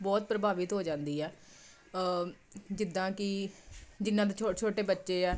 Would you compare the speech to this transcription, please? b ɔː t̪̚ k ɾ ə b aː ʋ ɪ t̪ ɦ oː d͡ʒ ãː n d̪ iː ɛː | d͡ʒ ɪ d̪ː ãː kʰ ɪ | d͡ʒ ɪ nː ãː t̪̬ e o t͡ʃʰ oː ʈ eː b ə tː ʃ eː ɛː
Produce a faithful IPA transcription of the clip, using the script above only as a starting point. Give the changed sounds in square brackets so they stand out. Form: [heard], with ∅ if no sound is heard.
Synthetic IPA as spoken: b ɔː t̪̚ [p] ɾ ə b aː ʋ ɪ t̪ ɦ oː d͡ʒ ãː n d̪ iː ɛː | d͡ʒ ɪ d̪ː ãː [k] ɪ | d͡ʒ ɪ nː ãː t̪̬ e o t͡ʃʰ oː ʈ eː b ə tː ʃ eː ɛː